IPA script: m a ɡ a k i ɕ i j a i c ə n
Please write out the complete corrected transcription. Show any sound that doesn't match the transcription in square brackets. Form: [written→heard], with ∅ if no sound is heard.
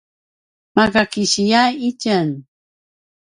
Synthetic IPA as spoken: m a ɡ a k i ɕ i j a i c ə n